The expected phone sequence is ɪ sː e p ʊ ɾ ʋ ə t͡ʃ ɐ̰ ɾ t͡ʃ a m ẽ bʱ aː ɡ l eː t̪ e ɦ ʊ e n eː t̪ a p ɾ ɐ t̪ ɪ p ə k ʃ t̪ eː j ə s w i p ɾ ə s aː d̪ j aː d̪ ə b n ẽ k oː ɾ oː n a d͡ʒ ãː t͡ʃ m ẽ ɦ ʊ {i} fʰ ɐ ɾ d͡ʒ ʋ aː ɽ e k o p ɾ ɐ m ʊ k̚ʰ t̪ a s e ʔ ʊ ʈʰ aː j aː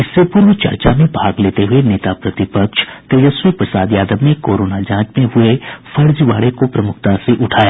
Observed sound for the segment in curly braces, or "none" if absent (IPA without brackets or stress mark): e